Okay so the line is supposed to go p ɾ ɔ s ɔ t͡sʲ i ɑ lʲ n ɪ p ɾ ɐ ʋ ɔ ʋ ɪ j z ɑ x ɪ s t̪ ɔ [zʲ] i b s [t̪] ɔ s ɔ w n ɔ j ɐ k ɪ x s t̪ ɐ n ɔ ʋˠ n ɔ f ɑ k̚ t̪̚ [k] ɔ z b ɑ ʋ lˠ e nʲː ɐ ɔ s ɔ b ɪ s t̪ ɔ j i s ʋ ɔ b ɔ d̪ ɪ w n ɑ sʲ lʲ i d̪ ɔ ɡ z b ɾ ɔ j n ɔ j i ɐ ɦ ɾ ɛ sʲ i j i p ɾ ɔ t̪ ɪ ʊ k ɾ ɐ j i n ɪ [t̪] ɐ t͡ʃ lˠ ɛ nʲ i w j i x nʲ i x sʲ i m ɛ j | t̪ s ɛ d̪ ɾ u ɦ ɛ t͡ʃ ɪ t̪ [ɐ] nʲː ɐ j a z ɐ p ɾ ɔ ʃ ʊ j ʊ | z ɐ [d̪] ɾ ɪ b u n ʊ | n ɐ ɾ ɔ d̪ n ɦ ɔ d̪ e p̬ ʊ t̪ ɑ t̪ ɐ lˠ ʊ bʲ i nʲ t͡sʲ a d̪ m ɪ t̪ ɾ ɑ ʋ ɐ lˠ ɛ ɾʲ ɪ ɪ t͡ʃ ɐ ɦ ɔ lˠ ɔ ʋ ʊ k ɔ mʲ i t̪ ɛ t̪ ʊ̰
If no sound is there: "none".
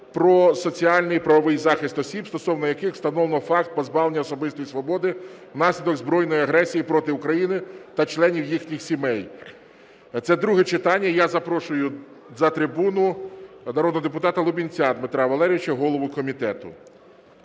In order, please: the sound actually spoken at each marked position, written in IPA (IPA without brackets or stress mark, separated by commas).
sʲ, t̪, p, t̪, ɑ, t̪